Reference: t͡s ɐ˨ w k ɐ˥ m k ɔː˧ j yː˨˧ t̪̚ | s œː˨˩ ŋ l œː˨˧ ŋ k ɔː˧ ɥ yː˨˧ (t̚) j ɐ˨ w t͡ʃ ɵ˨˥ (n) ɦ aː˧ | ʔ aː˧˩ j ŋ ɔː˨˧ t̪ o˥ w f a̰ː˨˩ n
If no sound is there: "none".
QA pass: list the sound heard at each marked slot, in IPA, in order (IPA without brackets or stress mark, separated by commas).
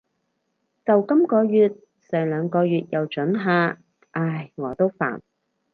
t̚, n